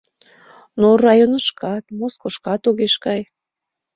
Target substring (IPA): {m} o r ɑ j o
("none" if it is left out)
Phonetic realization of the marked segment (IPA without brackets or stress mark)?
n